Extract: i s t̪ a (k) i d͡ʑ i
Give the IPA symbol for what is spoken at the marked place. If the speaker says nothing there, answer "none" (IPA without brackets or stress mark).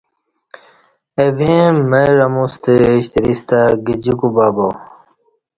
ɡ